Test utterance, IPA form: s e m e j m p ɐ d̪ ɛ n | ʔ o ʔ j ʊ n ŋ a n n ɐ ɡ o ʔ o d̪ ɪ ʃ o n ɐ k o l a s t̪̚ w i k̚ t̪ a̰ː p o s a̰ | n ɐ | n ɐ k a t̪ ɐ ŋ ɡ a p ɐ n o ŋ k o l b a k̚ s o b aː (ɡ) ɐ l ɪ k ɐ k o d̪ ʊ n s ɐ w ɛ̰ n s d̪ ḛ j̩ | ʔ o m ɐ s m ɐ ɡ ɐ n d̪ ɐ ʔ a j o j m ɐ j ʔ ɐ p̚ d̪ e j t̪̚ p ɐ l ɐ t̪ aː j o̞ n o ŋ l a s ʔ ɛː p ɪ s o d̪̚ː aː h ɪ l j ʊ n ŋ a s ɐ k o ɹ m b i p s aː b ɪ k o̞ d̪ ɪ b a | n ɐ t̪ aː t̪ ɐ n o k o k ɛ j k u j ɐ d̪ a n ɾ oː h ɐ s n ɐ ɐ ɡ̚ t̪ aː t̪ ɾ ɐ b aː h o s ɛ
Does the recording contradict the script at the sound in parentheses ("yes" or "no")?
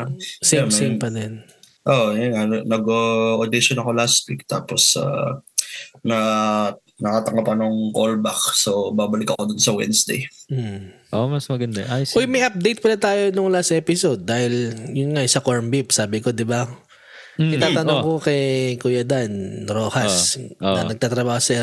yes